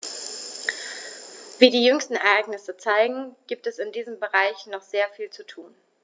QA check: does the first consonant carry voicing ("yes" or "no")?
yes